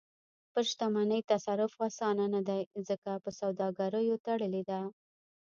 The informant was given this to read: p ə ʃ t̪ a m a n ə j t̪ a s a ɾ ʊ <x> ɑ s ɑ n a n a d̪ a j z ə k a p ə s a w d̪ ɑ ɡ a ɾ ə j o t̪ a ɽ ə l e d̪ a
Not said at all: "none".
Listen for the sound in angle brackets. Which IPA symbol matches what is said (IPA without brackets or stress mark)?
f